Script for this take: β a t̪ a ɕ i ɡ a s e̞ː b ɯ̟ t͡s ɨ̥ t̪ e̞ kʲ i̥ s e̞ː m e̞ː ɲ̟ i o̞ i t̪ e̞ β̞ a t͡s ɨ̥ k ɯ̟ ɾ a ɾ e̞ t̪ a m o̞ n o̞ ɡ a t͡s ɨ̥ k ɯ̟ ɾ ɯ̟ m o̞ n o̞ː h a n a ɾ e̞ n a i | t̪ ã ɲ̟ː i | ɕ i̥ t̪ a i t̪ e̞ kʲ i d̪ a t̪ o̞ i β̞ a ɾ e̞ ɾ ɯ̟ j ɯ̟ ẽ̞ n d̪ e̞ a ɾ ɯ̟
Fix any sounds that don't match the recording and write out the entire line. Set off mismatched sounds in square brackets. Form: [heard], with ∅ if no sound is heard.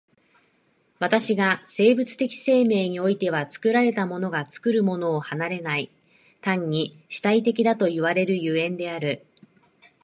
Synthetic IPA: β a t̪ a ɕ i ɡ a s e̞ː b ɯ̟ t͡s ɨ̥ t̪ e̞ kʲ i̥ s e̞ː m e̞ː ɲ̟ i o̞ i t̪ e̞ β̞ a t͡s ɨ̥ k ɯ̟ ɾ a ɾ e̞ t̪ a m o̞ n o̞ ɡ a t͡s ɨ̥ k ɯ̟ ɾ ɯ̟ m o̞ n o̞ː h a n a ɾ e̞ n a i | t̪ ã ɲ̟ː i | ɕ i̥ t̪ a i t̪ e̞ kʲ i d̪ a t̪ o̞ i β̞ a ɾ e̞ ɾ ɯ̟ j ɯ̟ ẽ̞ n d̪ e̞ a ɾ ɯ̟